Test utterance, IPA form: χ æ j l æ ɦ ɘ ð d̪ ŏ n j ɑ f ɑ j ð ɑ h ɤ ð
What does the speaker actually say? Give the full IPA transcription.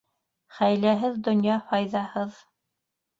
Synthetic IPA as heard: χ æ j l æ ɦ ɘ ð d̪ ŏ n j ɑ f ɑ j ð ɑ h ɤ ð